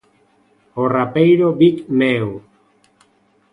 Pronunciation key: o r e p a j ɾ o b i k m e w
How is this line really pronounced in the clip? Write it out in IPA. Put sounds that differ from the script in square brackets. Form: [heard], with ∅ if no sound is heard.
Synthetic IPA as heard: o r [a] p [e] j ɾ o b i k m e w